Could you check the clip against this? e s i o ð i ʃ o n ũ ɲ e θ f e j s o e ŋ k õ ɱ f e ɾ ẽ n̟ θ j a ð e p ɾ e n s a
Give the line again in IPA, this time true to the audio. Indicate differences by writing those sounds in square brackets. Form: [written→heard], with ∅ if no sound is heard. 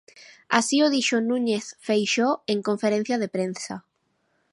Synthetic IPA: [e→a] s i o ð i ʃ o n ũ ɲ e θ f e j [s→ʃ] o e ŋ k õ ɱ f e ɾ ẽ n̟ θ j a ð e p ɾ e n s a